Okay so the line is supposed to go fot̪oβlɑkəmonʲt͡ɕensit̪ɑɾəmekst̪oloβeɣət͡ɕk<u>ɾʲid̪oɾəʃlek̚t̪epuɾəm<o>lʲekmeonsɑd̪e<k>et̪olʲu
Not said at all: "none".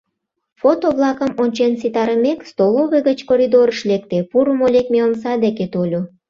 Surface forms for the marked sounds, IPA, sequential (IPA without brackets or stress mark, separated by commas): o, o, k